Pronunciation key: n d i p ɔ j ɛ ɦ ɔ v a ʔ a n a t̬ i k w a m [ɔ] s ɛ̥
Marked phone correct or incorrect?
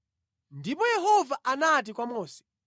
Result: incorrect